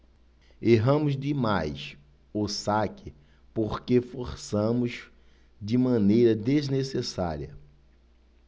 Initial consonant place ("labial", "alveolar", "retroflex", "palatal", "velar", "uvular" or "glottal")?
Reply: glottal